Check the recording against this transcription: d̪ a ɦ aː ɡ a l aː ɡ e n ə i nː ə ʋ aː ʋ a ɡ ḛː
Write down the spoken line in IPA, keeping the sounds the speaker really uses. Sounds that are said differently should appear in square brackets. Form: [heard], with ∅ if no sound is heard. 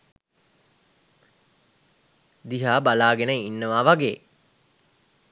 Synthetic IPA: d̪ [i] ɦ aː [b] a l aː ɡ e n ə i nː ə ʋ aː ʋ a ɡ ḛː